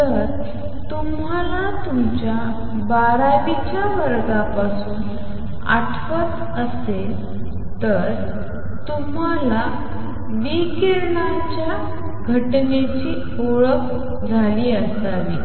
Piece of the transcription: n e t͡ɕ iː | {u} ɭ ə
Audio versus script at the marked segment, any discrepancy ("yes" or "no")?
yes